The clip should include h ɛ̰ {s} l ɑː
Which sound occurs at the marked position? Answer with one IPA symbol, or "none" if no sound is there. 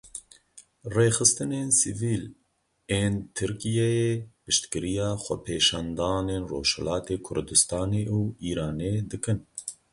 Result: none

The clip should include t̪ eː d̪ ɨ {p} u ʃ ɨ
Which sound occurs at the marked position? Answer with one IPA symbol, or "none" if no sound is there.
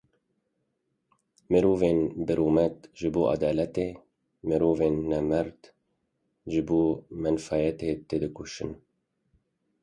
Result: k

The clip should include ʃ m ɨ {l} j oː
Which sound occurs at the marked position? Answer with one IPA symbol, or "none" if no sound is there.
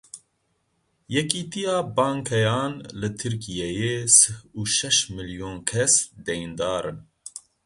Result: l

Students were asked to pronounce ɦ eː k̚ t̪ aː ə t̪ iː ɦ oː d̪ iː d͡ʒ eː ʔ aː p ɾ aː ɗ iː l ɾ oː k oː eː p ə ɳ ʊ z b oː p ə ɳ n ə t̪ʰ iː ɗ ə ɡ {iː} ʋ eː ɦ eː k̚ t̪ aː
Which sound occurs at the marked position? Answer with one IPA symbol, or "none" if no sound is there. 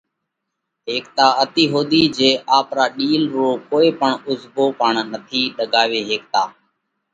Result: aː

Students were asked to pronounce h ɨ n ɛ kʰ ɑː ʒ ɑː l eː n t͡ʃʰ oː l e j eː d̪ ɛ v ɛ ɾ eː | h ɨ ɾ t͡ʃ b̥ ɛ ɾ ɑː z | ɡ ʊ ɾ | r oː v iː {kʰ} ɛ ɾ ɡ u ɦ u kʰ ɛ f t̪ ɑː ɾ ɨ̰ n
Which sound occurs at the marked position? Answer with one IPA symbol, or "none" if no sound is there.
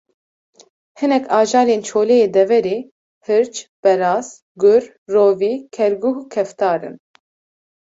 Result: kʰ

